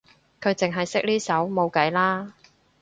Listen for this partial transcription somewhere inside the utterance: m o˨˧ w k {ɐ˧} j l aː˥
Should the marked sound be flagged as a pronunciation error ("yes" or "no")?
yes